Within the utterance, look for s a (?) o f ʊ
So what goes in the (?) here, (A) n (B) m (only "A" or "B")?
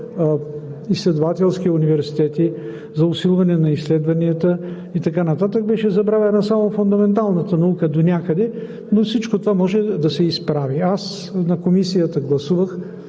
B